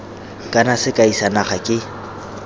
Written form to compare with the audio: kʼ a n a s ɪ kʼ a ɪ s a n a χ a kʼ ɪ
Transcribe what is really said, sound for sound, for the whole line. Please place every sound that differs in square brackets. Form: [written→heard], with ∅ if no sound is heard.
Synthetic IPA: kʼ a n a s ɪ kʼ a [ɪ→i] s a n a χ a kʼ ɪ

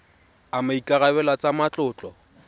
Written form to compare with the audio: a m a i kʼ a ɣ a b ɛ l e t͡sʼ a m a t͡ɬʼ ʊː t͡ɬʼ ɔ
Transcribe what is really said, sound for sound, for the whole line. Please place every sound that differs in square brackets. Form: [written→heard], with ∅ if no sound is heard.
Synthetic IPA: a m a i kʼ a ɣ a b ɛ l [e→a] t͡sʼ a m a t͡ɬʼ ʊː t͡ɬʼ ɔ

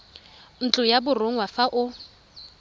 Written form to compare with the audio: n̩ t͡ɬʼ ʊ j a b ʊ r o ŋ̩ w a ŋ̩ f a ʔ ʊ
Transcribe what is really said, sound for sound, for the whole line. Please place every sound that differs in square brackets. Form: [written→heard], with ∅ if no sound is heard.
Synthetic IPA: n̩ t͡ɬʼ ʊ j a b ʊ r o ŋ̩ w a [ŋ̩→∅] f a ʔ ʊ

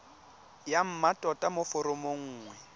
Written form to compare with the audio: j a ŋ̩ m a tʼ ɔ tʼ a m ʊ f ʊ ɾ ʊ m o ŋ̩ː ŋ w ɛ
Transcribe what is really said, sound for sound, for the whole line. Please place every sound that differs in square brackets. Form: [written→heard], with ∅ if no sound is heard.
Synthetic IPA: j a [ŋ̩→m̩] m a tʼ ɔ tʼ a m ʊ f ʊ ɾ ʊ m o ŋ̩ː ŋ w ɛ

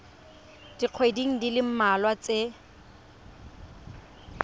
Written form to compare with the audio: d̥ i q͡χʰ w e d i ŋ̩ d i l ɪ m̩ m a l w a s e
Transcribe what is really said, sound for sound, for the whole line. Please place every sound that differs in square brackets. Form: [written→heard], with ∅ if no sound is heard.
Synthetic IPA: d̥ i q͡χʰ w e d i ŋ̩ d i l ɪ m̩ m a l w a [s→t͡s] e

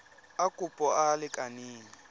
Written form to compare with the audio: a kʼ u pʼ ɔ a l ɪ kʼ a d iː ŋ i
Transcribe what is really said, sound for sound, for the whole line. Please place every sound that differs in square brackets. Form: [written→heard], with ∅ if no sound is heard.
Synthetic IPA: a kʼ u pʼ ɔ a l ɪ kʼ a [d→n] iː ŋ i

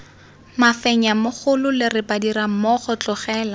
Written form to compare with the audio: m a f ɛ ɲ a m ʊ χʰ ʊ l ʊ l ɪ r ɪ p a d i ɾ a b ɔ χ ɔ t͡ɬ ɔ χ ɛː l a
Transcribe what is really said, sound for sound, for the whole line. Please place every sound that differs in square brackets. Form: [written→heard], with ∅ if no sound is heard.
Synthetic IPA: m a f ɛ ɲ a m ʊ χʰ ʊ l ʊ l ɪ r ɪ p a d i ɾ a [b→m] ɔ χ ɔ t͡ɬ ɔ χ ɛː l a

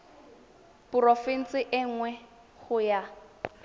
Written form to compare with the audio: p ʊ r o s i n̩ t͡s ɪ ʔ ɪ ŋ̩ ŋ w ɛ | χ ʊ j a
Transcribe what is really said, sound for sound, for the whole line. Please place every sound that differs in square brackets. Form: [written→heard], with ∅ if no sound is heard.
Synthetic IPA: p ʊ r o [s→f] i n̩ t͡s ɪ ʔ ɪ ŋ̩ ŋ w ɛ | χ ʊ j a

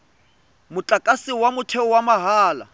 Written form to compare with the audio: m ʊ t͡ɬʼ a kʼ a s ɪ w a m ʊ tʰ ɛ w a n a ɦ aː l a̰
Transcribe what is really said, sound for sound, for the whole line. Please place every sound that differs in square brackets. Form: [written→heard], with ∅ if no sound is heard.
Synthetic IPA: m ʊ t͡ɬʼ a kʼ a s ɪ w a m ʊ tʰ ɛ w a [n→m] a ɦ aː l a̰

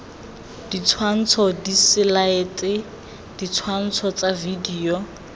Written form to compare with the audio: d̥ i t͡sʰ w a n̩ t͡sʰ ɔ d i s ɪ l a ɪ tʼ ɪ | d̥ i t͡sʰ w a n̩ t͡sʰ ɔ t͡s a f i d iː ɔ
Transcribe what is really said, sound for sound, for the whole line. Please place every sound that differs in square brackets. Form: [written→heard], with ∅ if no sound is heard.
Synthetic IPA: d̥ i t͡sʰ w a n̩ t͡sʰ ɔ d i s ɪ l a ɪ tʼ ɪ | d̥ i t͡sʰ w a n̩ t͡sʰ ɔ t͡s a [f→v] i d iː ɔ

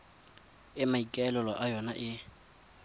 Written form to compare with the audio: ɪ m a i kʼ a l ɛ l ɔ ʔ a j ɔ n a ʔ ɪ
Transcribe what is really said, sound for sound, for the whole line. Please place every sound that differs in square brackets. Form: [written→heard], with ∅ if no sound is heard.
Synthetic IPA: ɪ m a i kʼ [a→ɛ] l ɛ l ɔ ʔ a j ɔ n a ʔ ɪ

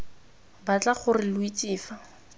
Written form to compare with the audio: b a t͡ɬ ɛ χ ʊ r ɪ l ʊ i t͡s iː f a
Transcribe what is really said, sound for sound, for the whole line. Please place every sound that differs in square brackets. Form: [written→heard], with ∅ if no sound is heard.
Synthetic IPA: b a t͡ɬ [ɛ→a] χ ʊ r ɪ l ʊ i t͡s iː f a

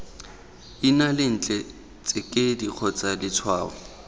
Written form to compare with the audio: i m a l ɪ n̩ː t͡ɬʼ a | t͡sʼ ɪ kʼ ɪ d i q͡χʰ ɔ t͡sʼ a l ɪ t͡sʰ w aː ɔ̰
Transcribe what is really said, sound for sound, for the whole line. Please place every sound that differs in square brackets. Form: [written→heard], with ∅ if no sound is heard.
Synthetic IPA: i [m→n] a l ɪ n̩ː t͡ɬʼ [a→ɛ] | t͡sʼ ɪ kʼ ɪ d i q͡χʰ ɔ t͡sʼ a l ɪ t͡sʰ w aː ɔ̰

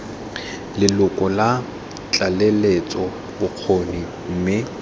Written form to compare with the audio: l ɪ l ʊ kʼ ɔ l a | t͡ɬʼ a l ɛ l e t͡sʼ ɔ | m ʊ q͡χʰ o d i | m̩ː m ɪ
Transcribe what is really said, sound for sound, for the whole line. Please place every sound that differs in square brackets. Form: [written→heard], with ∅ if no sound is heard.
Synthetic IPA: l ɪ l ʊ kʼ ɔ l a | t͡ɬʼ a l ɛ l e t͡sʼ ɔ | [m→b] ʊ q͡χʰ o [d→n] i | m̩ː m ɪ

